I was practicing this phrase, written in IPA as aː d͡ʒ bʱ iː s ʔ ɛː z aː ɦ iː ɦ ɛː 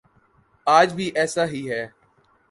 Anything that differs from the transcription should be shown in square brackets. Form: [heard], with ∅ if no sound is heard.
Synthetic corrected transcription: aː d͡ʒ bʱ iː [∅] ʔ ɛː [s] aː ɦ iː ɦ ɛː